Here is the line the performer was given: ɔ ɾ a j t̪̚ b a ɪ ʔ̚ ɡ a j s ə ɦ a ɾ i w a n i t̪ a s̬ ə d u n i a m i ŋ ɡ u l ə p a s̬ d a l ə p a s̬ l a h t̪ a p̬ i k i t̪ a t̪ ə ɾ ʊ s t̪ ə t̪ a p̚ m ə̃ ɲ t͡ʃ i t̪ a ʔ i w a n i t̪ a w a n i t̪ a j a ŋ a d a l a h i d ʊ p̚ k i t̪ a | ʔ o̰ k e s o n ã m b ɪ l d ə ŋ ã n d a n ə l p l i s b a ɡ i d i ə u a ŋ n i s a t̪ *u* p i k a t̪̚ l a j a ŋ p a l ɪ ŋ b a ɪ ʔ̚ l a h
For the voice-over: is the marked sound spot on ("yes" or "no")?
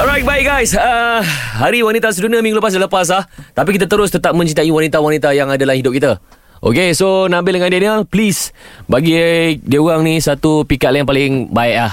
yes